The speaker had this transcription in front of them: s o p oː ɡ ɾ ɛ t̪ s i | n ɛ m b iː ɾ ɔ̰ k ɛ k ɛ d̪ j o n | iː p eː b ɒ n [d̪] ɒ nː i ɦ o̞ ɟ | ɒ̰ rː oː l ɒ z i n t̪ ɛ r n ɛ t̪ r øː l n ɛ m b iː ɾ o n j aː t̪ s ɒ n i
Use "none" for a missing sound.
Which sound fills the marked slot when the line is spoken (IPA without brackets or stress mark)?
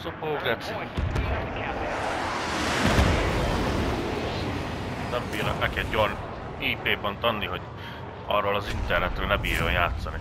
t̪